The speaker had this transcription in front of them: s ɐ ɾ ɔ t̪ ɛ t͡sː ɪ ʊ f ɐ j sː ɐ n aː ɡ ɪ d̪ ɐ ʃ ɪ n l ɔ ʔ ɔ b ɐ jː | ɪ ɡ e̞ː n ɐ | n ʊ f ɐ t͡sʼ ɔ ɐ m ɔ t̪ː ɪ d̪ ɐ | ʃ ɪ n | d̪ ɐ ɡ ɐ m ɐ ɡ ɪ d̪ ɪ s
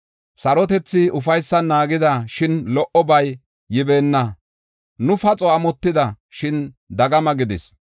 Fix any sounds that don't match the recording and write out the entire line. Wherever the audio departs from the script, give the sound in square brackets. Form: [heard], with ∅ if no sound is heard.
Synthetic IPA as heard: s ɐ ɾ ɔ t̪ ɛ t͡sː ɪ ʊ f ɐ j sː ɐ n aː ɡ ɪ d̪ ɐ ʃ ɪ n l ɔ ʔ ɔ b ɐ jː | ɪ [b] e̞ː [nː] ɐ | n ʊ f ɐ t͡sʼ ɔ ɐ m ɔ t̪ː ɪ d̪ ɐ | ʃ ɪ n | d̪ ɐ ɡ ɐ m ɐ ɡ ɪ d̪ ɪ s